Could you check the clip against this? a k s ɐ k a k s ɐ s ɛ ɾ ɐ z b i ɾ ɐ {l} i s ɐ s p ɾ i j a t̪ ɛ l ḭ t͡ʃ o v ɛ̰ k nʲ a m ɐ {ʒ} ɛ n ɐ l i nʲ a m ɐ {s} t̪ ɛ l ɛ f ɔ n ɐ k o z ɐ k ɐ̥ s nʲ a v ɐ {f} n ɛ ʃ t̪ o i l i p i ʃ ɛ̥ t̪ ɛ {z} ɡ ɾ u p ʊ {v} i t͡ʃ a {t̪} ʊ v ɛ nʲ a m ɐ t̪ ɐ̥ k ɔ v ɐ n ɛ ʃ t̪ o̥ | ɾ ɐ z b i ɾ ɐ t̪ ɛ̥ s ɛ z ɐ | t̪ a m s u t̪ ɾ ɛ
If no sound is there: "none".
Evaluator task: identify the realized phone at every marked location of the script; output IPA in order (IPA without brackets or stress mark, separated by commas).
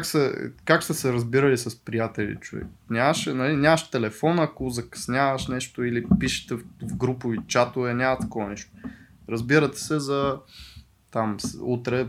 l, ʃ, ʃ, ʃ, v, v, t̪